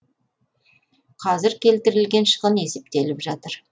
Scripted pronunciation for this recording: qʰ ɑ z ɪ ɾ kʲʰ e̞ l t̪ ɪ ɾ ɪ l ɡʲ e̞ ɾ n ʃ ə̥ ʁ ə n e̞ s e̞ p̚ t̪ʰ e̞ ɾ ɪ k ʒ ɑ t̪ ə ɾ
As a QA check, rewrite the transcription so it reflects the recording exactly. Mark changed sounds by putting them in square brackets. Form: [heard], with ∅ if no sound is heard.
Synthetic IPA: qʰ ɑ z ɪ ɾ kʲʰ e̞ l t̪ ɪ ɾ ɪ l ɡʲ e̞ [∅] n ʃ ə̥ ʁ ə n e̞ s e̞ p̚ [t̪] e̞ [l] ɪ [p] ʒ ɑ t̪ ə ɾ